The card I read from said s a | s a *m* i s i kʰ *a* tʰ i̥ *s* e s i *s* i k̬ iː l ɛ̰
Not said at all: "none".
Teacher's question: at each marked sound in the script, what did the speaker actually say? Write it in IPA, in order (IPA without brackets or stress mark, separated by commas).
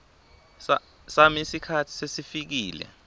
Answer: m, a, s, f